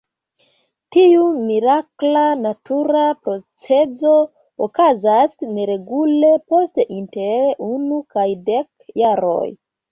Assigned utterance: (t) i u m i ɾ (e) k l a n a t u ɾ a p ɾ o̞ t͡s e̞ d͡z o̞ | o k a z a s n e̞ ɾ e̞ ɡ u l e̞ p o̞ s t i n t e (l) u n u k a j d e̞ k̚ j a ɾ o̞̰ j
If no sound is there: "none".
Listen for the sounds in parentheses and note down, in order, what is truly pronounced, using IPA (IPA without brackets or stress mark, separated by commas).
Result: t, a, ɾ